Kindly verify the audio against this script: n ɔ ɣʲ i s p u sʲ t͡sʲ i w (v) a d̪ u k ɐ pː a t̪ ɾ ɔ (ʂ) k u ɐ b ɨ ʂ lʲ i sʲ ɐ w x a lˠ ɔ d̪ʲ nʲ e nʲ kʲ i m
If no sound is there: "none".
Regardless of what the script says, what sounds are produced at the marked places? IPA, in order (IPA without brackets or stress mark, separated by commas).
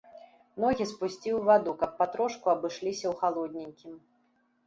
v, ʂ